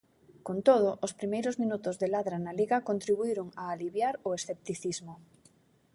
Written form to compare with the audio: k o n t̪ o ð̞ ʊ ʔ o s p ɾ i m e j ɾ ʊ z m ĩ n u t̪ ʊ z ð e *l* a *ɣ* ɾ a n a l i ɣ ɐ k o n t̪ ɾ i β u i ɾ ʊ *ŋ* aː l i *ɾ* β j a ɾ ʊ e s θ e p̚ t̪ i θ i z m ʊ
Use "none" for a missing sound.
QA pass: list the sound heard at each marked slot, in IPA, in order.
l, ð, ŋ, none

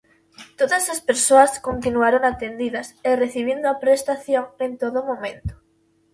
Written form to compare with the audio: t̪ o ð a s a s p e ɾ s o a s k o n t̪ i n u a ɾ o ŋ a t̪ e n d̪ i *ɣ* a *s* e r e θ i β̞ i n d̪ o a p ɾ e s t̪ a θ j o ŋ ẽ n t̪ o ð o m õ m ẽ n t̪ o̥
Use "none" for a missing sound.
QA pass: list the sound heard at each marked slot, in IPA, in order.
ð, s

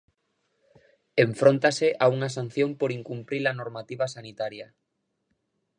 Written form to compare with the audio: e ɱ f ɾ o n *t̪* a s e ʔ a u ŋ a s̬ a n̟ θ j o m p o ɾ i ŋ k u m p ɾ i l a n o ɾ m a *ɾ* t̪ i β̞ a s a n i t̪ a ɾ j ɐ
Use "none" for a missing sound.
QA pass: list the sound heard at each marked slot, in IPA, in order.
t̪, none

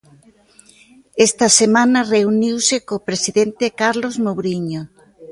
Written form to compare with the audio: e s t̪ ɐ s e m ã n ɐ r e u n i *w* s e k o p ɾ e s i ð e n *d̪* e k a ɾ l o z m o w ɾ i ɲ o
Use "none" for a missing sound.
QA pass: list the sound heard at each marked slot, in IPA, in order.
w, t̪

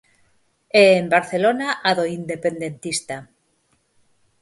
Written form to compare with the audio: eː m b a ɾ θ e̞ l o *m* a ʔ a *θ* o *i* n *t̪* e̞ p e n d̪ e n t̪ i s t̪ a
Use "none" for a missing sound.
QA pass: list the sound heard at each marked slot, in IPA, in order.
n, ð, i, d̪

